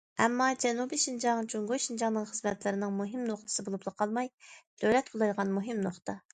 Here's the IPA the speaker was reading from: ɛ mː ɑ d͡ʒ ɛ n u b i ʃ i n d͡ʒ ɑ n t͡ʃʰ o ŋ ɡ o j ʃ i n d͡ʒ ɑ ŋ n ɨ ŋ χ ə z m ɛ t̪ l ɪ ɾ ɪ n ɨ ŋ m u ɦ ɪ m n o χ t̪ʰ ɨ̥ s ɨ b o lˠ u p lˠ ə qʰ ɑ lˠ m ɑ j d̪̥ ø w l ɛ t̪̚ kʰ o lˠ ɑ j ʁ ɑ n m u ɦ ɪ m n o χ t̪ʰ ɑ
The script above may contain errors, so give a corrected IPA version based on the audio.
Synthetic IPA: ɛ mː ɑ d͡ʒ ɛ n u b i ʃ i n d͡ʒ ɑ ŋ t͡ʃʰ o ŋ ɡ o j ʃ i n d͡ʒ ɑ ŋ n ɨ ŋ χ ə z m ɛ t̪ l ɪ ɾ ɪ n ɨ ŋ m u ɦ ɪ m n o χ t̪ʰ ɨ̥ s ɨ b o lˠ u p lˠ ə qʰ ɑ lˠ m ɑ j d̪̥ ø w l ɛ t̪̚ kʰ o lˠ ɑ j ʁ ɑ n m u ɦ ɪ m n o χ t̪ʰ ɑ